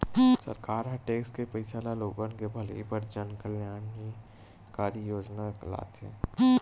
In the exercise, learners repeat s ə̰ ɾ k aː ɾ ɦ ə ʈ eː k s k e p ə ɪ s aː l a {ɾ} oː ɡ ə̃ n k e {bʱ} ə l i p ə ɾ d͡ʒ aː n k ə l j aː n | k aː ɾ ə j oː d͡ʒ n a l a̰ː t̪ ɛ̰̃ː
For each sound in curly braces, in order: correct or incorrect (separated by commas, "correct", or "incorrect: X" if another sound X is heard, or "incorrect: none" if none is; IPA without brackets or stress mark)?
incorrect: l, correct